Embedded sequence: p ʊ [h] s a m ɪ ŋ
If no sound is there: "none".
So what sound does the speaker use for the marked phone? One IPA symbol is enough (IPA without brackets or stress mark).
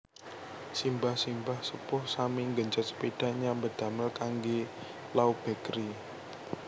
h